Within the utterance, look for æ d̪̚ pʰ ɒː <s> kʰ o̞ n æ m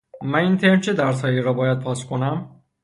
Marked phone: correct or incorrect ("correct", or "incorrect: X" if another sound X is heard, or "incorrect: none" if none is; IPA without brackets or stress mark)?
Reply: correct